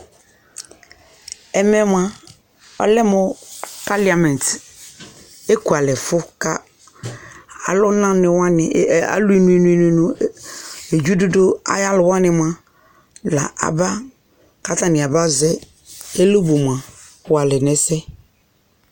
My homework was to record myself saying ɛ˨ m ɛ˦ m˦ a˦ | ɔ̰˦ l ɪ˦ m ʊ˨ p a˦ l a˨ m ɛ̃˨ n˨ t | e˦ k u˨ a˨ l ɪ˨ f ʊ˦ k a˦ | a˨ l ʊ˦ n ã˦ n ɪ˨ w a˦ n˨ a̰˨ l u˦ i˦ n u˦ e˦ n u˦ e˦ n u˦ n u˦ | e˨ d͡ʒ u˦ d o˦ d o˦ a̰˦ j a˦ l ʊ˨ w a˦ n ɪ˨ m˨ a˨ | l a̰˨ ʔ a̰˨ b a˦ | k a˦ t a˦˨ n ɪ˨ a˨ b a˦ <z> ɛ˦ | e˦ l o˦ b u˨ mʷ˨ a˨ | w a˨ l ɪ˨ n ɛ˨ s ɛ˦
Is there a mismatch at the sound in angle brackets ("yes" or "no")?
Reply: no